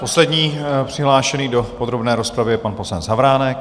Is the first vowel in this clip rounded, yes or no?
yes